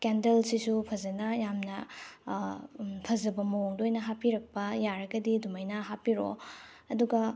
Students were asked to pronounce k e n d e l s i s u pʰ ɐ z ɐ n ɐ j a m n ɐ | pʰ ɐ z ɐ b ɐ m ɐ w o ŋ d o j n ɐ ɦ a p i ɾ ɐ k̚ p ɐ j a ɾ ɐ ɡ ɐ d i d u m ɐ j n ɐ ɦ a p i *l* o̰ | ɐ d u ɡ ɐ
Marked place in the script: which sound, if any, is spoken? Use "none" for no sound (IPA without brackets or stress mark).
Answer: ɾ